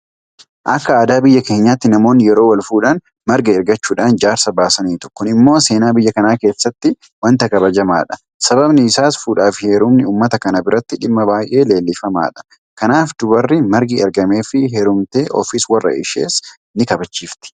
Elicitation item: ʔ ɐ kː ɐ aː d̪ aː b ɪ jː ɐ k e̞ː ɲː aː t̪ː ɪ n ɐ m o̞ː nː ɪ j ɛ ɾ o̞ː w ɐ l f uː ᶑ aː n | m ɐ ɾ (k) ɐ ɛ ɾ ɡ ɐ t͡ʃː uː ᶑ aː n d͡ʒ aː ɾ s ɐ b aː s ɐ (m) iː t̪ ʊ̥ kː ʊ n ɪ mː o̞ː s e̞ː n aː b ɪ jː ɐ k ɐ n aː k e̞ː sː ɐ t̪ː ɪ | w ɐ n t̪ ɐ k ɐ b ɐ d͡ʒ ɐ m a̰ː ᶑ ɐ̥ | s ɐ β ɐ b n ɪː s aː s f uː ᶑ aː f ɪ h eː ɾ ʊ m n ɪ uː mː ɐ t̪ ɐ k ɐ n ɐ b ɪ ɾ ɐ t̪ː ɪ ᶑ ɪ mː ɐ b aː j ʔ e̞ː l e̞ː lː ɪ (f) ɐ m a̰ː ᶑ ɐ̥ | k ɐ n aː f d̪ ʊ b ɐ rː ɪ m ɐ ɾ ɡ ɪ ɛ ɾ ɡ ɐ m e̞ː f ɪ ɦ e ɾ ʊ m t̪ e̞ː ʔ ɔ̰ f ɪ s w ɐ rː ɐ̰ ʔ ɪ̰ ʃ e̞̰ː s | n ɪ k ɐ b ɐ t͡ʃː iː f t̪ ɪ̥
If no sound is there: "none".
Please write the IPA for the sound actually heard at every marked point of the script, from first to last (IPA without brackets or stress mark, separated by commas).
ɡ, n, f